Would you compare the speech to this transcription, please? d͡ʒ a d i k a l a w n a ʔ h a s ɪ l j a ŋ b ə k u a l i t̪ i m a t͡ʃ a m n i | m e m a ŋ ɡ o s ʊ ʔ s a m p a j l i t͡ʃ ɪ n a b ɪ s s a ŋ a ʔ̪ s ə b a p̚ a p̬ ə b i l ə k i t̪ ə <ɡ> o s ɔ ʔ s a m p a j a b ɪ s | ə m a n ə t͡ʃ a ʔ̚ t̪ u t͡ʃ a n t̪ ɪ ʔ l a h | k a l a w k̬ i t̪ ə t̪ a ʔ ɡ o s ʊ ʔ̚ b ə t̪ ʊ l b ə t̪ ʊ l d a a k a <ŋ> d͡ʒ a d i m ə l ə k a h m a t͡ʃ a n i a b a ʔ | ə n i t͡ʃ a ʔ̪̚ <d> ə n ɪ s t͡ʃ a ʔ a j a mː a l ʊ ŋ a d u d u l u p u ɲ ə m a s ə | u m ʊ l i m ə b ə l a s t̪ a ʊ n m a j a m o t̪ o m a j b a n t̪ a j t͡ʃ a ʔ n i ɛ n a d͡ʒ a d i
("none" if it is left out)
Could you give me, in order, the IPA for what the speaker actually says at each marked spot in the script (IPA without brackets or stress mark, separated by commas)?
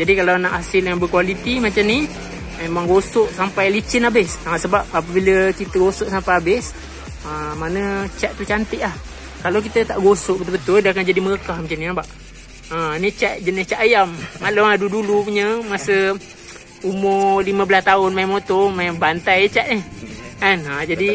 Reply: ɡ, n, d͡ʒ